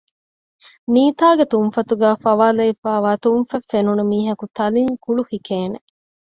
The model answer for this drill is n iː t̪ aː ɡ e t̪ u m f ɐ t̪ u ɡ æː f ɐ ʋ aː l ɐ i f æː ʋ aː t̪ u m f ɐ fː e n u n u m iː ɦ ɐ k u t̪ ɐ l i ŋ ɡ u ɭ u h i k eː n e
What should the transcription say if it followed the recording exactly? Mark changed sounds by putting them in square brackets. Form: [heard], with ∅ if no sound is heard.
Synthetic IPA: n iː t̪ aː ɡ e t̪ u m f ɐ t̪ u ɡ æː f ɐ ʋ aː l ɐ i f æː ʋ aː t̪ u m f ɐ fː e n u n u m iː ɦ ɐ k u t̪ ɐ l i ŋ [k] u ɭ u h i k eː n e